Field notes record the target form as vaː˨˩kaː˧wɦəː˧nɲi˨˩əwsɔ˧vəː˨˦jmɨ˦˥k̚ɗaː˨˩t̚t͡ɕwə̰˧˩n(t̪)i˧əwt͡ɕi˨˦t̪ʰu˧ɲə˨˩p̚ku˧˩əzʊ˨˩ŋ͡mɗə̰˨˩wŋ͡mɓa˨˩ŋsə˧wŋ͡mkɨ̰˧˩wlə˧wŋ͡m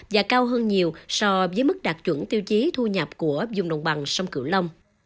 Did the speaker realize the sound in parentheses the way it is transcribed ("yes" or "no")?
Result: yes